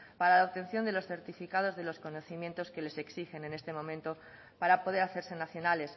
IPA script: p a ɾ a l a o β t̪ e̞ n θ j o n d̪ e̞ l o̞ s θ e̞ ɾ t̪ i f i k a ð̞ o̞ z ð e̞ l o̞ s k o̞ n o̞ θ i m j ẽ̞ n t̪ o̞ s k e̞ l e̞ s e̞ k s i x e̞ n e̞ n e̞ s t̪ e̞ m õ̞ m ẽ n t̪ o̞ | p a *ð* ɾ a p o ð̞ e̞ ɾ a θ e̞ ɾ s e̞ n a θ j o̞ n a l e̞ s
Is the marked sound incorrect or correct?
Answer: incorrect: none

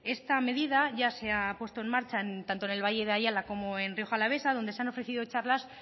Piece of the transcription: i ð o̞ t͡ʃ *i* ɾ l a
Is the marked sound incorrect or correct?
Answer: incorrect: a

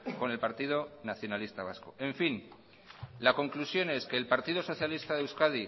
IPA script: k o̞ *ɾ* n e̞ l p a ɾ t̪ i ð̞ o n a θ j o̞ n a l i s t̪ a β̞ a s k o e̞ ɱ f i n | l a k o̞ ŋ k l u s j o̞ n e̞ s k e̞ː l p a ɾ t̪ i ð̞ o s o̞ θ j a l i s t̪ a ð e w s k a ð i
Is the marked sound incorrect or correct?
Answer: incorrect: none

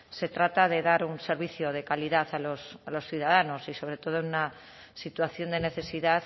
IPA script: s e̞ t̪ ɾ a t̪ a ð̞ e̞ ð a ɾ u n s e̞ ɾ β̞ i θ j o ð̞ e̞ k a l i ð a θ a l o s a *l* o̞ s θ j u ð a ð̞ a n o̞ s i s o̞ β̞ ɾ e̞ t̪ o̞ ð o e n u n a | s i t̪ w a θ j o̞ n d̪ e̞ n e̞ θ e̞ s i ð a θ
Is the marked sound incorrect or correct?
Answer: correct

